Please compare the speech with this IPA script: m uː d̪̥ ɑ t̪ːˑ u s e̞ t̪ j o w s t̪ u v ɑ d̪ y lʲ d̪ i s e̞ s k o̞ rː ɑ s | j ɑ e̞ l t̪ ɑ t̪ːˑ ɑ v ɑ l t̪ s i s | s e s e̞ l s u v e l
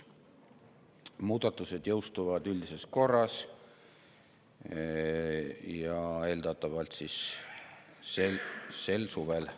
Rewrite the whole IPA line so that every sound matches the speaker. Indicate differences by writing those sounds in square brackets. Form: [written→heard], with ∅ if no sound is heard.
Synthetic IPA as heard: m uː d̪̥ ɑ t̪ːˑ u s e̞ [t̪→d̪] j [o→ɤ] w s t̪ u v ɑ d̪ y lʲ d̪ i s e̞ s k o̞ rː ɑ s | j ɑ e̞ l [t̪→d̪] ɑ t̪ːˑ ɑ v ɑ l t̪ s i s | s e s e̞ l s u v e l